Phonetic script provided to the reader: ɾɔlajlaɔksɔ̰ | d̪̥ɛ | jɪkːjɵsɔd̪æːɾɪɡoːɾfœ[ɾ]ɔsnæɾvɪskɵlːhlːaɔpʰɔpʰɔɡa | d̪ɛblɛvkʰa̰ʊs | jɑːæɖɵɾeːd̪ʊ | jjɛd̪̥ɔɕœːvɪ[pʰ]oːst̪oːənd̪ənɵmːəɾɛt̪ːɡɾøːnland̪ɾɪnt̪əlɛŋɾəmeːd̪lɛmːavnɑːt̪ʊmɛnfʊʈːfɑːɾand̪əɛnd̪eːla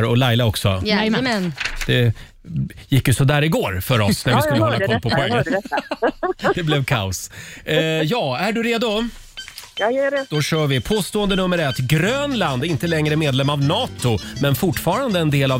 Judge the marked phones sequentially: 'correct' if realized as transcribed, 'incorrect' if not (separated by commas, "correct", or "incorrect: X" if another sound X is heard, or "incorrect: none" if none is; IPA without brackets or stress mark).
correct, correct